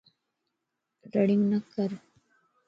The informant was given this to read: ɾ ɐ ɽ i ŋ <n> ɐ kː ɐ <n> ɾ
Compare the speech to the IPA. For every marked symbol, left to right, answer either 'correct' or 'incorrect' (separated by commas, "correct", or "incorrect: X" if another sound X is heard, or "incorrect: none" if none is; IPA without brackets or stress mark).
correct, incorrect: none